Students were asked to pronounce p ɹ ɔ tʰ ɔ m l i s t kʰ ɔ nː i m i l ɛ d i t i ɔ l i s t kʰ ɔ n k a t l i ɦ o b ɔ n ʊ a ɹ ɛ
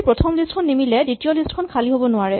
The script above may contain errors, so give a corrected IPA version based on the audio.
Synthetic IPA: p ɹ ɔ tʰ ɔ m l i s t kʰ ɔ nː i m i l ɛ d i t i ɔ l i s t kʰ ɔ n kʰ a l i ɦ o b ɔ n ʊ a ɹ ɛ